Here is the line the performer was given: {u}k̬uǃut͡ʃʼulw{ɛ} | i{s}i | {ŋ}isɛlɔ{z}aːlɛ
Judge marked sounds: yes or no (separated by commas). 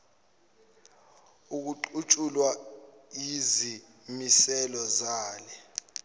yes, no, no, no, yes